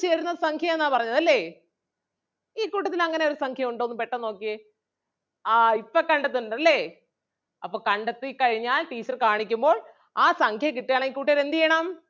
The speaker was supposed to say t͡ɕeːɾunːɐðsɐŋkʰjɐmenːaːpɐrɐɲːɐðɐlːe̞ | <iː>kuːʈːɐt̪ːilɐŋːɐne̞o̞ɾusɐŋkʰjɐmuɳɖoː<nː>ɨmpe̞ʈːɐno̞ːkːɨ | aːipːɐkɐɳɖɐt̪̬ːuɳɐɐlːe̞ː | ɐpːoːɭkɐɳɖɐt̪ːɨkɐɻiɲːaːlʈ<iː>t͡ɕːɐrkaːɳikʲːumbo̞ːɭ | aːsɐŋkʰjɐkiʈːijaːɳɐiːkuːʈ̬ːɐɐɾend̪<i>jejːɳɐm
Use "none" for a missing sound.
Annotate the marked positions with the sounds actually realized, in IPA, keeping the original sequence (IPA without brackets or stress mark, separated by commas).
iː, nː, iː, i